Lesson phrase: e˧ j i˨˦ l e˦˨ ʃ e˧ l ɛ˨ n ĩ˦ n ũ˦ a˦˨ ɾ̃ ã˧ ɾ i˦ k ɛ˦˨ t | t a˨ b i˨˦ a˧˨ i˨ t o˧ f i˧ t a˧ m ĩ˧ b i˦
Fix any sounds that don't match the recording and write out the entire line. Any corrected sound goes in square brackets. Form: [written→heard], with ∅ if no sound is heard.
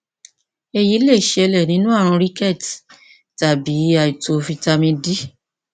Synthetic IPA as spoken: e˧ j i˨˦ l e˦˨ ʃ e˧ l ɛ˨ n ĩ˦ n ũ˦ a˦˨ ɾ̃ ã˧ ɾ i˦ k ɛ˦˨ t | t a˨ b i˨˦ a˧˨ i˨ t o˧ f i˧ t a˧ m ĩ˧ [b→d] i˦